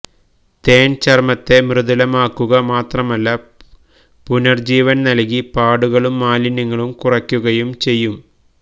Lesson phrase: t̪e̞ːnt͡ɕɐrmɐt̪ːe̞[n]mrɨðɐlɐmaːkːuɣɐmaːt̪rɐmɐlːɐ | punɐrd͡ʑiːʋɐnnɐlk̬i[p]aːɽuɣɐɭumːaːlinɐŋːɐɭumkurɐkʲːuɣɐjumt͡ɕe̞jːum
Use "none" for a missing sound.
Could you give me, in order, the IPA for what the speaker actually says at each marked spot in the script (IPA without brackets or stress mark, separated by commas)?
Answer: none, p